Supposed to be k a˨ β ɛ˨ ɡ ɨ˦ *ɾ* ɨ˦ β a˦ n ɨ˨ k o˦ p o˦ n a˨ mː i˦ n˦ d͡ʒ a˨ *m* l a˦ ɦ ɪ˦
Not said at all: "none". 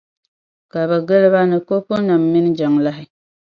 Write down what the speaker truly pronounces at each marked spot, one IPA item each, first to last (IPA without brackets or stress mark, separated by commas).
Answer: l, ŋ